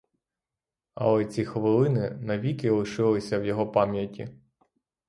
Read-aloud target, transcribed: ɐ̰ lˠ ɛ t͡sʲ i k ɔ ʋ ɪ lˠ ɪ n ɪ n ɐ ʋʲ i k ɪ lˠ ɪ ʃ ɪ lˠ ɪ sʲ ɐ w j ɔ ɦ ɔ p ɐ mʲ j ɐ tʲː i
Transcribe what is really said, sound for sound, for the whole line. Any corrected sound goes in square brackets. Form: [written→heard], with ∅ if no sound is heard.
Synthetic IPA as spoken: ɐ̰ lˠ ɛ t͡sʲ i [k→x] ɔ ʋ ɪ lˠ ɪ n ɪ n ɐ ʋʲ i k ɪ lˠ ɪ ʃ ɪ lˠ ɪ sʲ ɐ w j ɔ ɦ ɔ p [ɐ→ɑ] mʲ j ɐ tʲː i